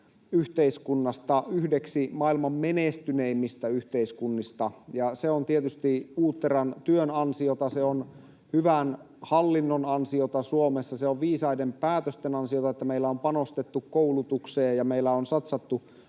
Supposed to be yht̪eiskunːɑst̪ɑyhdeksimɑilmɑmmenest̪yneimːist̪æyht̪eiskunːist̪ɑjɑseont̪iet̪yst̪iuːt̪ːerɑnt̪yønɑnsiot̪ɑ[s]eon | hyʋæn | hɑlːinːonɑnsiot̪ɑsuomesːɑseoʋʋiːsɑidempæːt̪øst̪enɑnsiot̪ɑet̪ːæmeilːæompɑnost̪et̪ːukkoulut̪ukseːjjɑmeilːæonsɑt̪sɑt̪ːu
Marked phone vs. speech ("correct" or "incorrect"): correct